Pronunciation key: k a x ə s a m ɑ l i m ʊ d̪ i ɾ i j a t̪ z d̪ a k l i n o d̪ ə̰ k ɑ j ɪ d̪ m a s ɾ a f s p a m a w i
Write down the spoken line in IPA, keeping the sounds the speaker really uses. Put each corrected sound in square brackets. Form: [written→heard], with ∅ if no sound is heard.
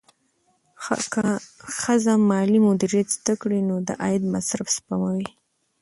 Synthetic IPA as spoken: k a x ə [s→z] a m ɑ l i m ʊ d̪ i ɾ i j a t̪ z d̪ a k [l→ɽ] i n o d̪ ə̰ [k→ʔ] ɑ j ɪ d̪ m a s ɾ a f s p a m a w i

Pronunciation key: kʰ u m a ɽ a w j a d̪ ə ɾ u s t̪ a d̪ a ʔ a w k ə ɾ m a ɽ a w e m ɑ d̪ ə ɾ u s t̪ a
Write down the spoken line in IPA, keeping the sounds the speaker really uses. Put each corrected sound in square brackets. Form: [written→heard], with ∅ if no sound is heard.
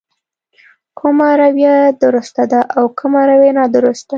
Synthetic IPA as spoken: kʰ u m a [ɽ→ɾ] a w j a d̪ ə ɾ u s t̪ a d̪ a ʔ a w k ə [ɾ→∅] m a [ɽ→ɾ] a w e [m→n] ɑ d̪ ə ɾ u s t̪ a

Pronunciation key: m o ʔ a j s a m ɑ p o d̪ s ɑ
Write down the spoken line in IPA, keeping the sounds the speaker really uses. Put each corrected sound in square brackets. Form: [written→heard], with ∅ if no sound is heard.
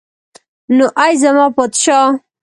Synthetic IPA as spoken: [m→n] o ʔ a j [s→z] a m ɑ p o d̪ [s→ʃ] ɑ

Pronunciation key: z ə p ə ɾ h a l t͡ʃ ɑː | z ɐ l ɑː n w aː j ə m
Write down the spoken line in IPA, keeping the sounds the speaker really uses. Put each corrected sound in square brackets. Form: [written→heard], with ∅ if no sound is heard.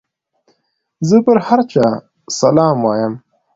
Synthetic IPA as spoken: z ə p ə ɾ h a [l→ɾ] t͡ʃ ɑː | [z→s] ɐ l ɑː [n→m] w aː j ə m

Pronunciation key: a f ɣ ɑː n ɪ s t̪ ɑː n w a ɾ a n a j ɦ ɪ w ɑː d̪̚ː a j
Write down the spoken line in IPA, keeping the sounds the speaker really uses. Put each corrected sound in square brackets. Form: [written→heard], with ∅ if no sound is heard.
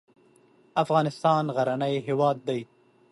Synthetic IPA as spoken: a f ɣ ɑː n ɪ s t̪ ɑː n [w→ɣ] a ɾ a n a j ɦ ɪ w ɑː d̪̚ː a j

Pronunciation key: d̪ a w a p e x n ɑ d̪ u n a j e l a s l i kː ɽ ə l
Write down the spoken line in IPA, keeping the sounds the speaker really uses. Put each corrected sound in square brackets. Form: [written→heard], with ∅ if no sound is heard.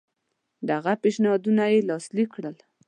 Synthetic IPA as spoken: d̪ a [w→ɣ] a p e [x→ʃ] n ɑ d̪ u n a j e l [a→ɑ] s l i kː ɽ ə l

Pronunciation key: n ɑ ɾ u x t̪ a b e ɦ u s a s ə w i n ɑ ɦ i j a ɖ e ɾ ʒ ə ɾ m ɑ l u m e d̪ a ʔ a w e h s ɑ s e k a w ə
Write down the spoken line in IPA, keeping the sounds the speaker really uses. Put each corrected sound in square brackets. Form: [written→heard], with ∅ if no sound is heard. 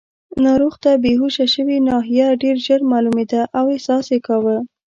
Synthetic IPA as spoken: n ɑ ɾ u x t̪ a b e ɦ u [s→ʃ] a [s→ʃ] ə w i n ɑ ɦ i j a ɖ e ɾ ʒ ə ɾ m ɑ l u m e d̪ a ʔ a w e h s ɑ s e k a w ə

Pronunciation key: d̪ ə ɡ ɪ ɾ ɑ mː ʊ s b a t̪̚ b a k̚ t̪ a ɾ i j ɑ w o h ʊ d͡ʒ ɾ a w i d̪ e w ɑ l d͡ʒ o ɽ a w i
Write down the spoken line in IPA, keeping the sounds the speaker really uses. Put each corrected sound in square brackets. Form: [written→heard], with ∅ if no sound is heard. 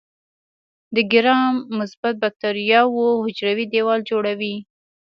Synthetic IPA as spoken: d̪ ə ɡ ɪ ɾ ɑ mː ʊ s b a t̪̚ b a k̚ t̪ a ɾ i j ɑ w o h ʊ d͡ʒ ɾ a w i d̪ e w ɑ l d͡ʒ o ɽ a w i

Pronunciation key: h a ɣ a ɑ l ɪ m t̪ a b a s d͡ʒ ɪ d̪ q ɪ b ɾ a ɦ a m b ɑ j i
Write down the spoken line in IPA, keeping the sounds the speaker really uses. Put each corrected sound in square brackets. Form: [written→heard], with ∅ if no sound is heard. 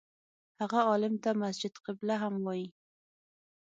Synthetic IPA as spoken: h a ɣ a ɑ l ɪ m t̪ a [b→m] a s d͡ʒ ɪ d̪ q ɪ b [ɾ→l] a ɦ a m [b→w] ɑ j i

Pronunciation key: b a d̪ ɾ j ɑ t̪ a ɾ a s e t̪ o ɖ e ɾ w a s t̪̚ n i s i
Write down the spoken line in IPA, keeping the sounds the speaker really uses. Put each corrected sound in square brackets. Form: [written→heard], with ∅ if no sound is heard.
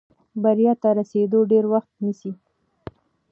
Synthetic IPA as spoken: b a [d̪→∅] ɾ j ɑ t̪ a ɾ a s e [t̪→d̪] o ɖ e ɾ w a [s→x] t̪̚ n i s i

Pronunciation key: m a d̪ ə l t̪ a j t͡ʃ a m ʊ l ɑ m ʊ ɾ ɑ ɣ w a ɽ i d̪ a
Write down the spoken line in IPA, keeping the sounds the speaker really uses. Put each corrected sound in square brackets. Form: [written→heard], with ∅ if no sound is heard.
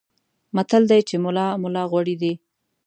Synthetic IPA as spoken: m a [d̪→t̪] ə l [t̪→d̪] a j t͡ʃ [a→e] m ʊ l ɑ m ʊ [ɾ→l] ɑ ɣ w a ɽ i d̪ [a→i]

